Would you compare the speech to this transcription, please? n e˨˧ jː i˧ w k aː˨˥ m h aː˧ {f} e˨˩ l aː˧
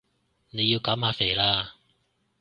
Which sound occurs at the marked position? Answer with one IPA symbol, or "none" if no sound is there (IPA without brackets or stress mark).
f